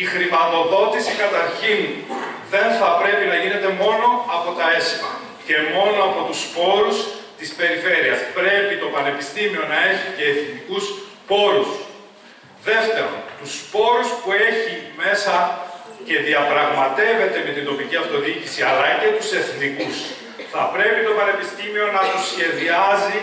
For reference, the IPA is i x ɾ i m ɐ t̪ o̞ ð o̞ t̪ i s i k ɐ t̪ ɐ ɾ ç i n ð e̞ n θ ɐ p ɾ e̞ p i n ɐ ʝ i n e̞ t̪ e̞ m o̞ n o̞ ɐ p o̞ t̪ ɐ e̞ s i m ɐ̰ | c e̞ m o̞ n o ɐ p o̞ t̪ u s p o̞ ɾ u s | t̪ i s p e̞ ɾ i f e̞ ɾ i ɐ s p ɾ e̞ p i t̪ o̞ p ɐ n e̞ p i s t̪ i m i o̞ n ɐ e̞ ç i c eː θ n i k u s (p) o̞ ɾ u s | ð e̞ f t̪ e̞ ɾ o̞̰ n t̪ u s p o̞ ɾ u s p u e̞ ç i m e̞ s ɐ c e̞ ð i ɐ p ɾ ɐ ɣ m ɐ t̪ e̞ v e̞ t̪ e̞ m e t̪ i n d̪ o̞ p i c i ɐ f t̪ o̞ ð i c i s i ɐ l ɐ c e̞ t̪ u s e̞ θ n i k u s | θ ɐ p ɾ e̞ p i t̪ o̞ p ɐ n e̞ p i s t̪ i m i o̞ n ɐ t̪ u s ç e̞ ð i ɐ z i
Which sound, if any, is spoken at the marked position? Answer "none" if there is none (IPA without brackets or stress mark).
p